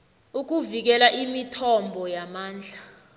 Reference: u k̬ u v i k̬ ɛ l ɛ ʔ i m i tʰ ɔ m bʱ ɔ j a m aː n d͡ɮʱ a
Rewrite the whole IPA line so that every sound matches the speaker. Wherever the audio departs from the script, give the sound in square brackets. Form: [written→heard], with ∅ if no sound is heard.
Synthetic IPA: u k̬ u v i k̬ ɛ l [ɛ→a] ʔ i m i tʰ ɔ m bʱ ɔ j a m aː n d͡ɮʱ a